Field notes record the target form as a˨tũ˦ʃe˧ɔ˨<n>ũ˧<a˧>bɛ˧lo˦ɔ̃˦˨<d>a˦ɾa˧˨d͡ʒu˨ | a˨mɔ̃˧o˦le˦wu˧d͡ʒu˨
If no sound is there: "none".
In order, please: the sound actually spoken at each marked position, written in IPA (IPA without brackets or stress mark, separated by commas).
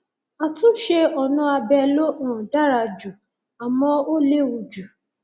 n, a˧, d